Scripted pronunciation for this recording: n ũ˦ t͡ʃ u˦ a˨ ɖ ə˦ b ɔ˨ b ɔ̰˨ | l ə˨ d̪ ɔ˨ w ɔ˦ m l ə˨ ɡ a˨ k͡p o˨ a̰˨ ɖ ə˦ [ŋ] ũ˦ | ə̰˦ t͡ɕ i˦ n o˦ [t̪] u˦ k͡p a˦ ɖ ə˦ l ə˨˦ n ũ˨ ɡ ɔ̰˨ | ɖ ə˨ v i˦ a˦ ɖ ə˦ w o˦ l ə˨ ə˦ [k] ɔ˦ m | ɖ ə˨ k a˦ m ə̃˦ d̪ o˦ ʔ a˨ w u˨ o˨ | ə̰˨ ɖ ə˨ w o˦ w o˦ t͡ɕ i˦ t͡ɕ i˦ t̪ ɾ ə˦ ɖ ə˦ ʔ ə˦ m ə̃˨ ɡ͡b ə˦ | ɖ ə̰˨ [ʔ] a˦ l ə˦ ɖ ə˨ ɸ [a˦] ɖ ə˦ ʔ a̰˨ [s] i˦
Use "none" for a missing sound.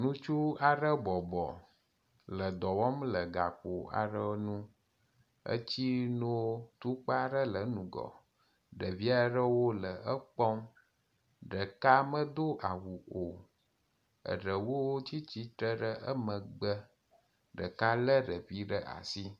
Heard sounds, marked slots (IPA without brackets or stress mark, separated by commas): n, t̪, k͡p, k, i˦, s